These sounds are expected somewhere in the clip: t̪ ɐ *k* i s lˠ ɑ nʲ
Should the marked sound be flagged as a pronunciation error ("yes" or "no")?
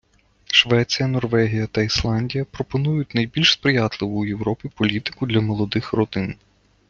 yes